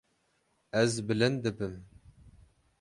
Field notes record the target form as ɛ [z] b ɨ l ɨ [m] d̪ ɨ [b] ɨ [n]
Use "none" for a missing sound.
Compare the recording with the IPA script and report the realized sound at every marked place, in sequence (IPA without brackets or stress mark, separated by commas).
z, n, b, m